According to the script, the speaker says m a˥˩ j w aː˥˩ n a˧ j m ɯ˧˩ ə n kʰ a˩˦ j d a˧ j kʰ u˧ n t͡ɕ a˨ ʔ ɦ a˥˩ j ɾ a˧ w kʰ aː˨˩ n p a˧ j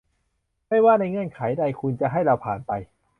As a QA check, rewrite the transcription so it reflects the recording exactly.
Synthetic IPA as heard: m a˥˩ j w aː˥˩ n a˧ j ŋ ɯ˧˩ ə n kʰ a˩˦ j d a˧ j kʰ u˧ n t͡ɕ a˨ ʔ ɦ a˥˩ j ɾ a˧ w pʰ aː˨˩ n p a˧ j